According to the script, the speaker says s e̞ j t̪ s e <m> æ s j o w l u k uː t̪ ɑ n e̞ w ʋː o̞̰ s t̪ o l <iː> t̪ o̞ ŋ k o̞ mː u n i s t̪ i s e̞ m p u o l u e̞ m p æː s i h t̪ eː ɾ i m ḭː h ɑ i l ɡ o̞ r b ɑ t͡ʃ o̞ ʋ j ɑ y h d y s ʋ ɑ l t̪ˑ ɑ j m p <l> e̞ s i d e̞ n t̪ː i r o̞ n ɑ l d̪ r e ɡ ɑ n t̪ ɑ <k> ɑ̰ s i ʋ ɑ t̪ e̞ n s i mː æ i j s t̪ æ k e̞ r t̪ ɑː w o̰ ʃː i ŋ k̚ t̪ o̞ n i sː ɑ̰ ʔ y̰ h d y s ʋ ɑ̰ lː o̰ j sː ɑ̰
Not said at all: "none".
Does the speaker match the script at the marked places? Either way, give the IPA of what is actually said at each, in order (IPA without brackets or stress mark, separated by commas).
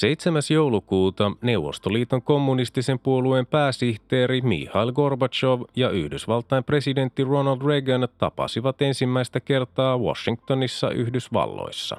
m, iː, r, p